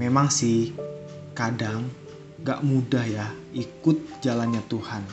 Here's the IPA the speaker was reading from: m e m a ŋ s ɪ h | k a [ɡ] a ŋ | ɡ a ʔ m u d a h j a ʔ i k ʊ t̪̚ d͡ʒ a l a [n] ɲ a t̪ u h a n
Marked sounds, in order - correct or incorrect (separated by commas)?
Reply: incorrect, correct